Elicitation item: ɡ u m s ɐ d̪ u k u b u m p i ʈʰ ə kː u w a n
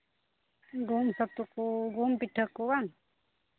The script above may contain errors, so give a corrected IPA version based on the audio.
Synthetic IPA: ɡ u m s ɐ t̪ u k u ɡ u m p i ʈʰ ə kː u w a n